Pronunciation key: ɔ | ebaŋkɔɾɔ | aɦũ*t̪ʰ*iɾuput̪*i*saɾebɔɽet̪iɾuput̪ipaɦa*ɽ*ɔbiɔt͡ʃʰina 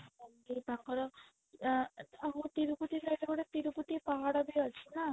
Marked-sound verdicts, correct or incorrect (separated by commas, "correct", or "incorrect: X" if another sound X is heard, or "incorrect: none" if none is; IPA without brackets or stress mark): incorrect: t̪, correct, correct